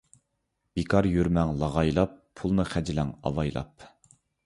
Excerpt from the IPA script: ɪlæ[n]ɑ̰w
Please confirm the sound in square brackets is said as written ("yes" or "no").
no